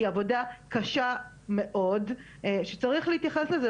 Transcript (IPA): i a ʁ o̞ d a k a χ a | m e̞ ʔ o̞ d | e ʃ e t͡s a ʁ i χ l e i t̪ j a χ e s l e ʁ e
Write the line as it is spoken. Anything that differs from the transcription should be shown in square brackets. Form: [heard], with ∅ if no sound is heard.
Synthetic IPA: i a [v] o̞ d a k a [ʃ] a | m e̞ ʔ o̞ d | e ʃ e t͡s a ʁ i χ l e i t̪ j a χ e s l e [z] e